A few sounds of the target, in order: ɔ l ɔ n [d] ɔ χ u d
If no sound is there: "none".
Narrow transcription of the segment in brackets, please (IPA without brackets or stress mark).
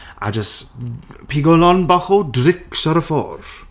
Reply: b